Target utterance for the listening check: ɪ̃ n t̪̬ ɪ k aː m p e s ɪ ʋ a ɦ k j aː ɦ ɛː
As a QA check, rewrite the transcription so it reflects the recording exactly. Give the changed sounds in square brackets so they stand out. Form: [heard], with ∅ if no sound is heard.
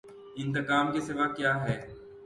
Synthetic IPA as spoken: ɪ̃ n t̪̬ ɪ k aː m [k] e s ɪ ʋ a [∅] k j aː ɦ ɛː

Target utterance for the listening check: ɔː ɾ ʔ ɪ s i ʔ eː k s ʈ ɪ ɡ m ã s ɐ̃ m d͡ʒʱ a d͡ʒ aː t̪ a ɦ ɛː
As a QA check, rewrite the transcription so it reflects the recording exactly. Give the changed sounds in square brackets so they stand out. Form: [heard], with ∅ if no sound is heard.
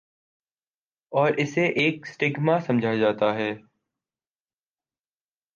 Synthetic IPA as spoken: ɔː ɾ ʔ ɪ s [e] ʔ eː k s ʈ ɪ ɡ m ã s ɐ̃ m d͡ʒʱ a d͡ʒ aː t̪ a ɦ ɛː

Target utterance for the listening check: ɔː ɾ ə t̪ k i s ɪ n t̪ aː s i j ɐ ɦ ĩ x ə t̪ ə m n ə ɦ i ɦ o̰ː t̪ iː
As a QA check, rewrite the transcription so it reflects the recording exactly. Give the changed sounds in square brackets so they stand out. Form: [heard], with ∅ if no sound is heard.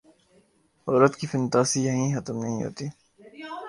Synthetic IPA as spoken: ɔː ɾ ə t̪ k i [f] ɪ n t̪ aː s i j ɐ ɦ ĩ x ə t̪ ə m n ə ɦ [ĩ] ɦ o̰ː t̪ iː

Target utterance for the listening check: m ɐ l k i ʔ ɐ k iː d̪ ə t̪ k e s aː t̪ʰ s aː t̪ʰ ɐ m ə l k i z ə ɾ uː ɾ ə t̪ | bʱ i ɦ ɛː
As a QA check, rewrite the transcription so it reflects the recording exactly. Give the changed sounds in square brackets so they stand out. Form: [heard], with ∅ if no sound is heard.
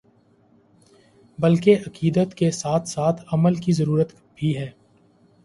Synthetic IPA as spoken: [b] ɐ l k [e] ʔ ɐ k iː d̪ ə t̪ k e s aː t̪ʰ s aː t̪ʰ ɐ m ə l k i z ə ɾ uː ɾ ə t̪ | bʱ i ɦ ɛː

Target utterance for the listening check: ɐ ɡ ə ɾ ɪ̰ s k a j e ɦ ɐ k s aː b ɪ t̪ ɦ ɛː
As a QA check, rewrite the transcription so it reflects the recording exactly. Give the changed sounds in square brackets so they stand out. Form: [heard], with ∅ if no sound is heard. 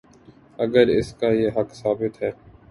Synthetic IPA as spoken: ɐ ɡ ə ɾ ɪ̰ s k a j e ɦ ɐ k s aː b ɪ t̪ ɦ ɛː

